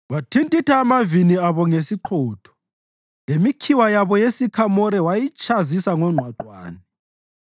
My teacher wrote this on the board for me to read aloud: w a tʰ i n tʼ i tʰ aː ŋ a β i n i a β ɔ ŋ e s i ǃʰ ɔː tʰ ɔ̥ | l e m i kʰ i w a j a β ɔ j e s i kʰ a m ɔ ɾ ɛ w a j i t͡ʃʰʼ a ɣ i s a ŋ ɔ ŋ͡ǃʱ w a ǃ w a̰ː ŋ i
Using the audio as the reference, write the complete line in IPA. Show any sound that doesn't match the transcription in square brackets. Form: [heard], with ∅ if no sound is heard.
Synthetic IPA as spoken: w a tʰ i n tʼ i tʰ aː [m] a [v] i n i a β ɔ ŋ e s i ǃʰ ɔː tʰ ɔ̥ | l e m i kʰ i w a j a β ɔ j e s i kʰ a m ɔ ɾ ɛ w a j i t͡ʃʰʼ a [z] i s a ŋ ɔ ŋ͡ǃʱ w a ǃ w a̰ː [n] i